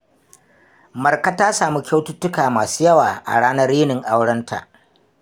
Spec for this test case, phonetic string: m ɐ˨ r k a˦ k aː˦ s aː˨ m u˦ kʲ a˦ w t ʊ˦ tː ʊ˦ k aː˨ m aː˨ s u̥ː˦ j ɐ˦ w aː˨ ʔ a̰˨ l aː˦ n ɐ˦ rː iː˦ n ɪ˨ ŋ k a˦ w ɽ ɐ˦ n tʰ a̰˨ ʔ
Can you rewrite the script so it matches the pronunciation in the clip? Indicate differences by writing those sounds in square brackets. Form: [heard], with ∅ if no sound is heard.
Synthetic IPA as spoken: m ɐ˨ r k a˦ [t] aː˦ s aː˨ m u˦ kʲ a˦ w t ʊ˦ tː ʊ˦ k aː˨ m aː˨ s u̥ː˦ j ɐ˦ w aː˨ ʔ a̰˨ [ɽ] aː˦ n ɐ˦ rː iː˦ n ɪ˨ ŋ [ʔ] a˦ w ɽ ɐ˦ n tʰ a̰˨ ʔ